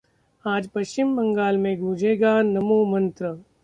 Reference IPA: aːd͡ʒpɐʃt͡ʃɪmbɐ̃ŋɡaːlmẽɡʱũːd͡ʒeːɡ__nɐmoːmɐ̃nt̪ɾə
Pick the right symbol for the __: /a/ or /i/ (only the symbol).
a